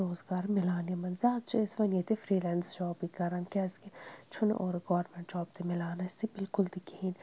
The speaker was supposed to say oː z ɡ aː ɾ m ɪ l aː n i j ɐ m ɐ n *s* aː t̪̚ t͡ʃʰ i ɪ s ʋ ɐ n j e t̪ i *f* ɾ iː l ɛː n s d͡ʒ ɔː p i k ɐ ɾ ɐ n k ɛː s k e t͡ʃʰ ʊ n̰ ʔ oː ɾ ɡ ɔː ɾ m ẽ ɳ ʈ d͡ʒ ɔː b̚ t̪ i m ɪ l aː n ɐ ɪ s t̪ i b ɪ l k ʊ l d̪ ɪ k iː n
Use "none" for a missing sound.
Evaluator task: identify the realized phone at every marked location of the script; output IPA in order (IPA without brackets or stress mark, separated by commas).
z, f